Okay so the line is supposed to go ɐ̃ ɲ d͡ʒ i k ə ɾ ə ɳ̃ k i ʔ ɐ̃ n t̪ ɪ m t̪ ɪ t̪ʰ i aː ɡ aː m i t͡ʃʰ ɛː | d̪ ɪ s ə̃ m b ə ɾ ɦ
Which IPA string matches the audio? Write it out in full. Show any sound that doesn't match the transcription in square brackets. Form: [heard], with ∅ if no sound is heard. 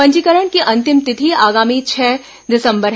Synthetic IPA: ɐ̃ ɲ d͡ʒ i k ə ɾ ə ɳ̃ k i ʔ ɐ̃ n t̪ ɪ m t̪ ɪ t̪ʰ i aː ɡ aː m i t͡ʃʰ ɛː | d̪ ɪ s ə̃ m b ə ɾ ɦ